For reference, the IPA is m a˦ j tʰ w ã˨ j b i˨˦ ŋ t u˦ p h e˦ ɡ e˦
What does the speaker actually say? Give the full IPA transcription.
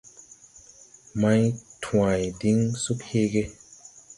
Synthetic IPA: m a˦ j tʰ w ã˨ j d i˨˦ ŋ s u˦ k h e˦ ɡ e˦